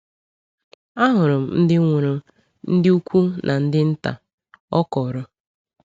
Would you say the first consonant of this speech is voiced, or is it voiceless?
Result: voiced